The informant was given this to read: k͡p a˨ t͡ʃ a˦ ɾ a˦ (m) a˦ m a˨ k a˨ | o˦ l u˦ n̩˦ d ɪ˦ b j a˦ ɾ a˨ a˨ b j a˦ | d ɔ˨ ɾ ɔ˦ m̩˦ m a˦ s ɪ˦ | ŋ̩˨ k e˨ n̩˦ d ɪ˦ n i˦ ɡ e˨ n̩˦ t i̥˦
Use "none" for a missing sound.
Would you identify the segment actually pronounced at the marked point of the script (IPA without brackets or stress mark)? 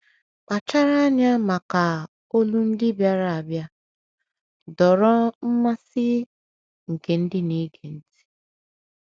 ɲ